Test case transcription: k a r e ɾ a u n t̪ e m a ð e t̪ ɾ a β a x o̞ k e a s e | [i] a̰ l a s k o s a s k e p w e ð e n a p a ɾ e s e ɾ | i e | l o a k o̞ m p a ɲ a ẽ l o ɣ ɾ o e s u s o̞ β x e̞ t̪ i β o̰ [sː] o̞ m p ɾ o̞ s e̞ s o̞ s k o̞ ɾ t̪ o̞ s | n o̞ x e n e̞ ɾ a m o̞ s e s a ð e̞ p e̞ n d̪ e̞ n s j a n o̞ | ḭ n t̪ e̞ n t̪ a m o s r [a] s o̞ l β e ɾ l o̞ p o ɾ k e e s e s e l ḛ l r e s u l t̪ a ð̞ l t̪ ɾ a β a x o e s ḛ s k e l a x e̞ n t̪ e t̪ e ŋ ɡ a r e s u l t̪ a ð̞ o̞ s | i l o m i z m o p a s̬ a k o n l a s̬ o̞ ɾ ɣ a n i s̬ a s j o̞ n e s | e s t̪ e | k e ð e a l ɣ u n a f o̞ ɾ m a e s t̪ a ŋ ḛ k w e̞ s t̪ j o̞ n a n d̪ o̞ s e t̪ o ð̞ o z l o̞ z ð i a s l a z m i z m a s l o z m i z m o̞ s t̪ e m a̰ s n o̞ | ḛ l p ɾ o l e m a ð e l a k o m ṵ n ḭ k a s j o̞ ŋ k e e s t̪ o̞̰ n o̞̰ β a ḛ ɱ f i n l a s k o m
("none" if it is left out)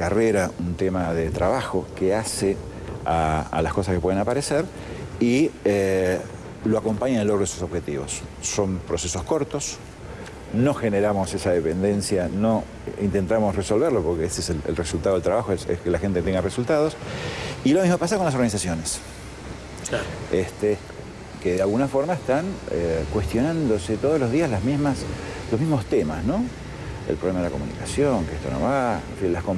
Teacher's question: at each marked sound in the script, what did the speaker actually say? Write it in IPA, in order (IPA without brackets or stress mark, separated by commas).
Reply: a, sː, e